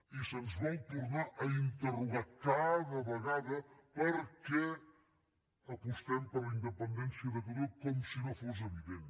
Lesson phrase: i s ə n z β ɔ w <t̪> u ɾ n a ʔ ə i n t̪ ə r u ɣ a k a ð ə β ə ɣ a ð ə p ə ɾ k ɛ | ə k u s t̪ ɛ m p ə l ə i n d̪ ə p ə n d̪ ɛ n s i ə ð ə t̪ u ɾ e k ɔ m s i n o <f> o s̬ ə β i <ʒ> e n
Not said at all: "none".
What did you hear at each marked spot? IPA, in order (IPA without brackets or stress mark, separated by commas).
t̪, f, ð